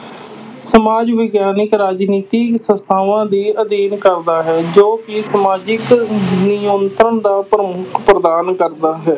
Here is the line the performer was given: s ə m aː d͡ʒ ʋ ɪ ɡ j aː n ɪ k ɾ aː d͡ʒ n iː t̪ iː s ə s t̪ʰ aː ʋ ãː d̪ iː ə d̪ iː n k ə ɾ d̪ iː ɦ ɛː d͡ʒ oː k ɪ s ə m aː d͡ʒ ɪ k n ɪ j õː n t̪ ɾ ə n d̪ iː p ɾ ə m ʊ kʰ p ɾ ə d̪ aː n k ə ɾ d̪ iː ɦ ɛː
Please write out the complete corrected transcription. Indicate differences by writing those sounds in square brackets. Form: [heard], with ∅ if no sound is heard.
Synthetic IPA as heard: s ə m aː d͡ʒ ʋ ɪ ɡ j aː n ɪ k ɾ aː d͡ʒ n iː t̪ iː s ə s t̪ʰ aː ʋ ãː d̪ iː ə d̪ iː n k ə ɾ d̪ [aː] ɦ ɛː d͡ʒ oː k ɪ s ə m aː d͡ʒ ɪ k n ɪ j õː n t̪ ɾ ə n d̪ [aː] p ɾ ə m ʊ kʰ p ɾ ə d̪ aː n k ə ɾ d̪ [aː] ɦ ɛː